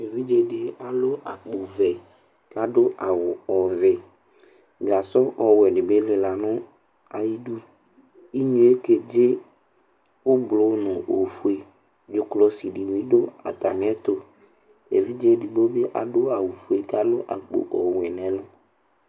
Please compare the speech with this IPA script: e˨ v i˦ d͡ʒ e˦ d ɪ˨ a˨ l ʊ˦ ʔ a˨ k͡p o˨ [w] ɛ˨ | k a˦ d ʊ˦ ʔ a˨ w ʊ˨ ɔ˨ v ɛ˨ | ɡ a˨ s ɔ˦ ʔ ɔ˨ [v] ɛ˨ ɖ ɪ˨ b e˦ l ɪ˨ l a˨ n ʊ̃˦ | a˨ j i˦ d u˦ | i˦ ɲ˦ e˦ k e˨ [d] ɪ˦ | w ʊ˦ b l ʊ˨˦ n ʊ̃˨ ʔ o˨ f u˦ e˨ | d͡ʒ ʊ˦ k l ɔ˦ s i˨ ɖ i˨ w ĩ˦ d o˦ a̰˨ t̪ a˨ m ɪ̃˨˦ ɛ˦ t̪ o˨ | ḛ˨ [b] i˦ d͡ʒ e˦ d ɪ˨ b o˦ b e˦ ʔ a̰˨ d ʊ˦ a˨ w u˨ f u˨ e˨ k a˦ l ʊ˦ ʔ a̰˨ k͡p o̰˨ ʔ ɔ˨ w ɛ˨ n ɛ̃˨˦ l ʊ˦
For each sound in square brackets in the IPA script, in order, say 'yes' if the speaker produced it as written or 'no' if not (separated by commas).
no, no, no, no